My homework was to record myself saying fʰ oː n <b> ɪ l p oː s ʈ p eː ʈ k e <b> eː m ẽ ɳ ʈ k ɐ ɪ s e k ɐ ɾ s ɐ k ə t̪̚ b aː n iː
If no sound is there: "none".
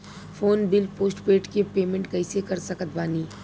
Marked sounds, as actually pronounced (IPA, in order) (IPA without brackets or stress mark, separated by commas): b, p